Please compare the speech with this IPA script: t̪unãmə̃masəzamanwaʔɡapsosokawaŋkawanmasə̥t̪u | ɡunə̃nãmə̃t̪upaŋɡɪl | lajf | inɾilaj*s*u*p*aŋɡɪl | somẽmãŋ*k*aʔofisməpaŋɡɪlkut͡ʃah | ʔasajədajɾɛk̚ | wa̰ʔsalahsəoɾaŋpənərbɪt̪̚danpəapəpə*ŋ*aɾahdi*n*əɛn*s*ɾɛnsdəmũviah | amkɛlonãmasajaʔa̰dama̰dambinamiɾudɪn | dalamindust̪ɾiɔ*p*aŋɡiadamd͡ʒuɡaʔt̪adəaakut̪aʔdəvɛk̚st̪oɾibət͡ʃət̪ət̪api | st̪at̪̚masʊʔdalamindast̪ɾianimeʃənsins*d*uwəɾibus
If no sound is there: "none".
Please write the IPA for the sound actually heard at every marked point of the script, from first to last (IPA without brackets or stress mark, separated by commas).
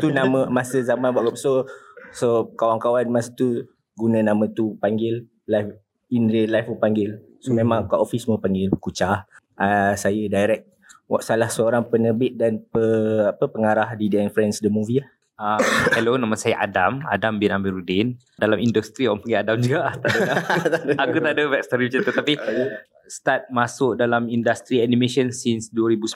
f, p, k, ŋ, d, f, p, d